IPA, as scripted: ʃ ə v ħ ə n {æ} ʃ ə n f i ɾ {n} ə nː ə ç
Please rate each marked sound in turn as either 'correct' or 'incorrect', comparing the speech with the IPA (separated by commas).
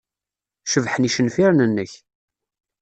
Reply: incorrect, correct